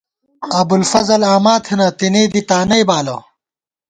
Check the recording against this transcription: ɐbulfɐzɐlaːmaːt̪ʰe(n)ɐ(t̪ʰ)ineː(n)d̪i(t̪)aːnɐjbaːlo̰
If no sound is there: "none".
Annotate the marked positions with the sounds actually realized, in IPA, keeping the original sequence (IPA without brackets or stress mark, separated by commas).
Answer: n, t̪, none, t̪